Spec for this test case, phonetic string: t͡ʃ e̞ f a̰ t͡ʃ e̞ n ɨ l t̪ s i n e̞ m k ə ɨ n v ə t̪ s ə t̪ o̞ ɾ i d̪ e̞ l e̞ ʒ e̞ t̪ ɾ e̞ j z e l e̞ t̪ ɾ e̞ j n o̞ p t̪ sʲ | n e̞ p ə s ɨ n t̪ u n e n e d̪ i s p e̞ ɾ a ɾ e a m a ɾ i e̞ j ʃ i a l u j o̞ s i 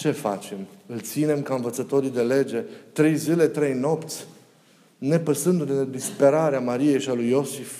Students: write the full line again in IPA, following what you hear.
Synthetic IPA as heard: t͡ʃ e̞ f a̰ t͡ʃ e̞ m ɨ l t̪ s i n e̞ m k a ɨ n v ə t̪ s ə t̪ o̞ ɾ i d̪ e̞ l e̞ d͡ʒ e̞ t̪ ɾ e̞ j z i l e̞ t̪ ɾ e̞ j n o̞ p t̪ sʲ | n e̞ p ə s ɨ n d̪ u n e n e d̪ i s p e̞ ɾ a ɾ e a m a ɾ i e̞ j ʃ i a l u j o̞ s i